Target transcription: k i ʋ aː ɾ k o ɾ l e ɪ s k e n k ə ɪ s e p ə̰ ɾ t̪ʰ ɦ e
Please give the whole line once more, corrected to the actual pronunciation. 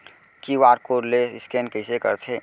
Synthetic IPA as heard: k i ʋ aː ɾ k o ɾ l e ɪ s k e n k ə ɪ s e k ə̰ ɾ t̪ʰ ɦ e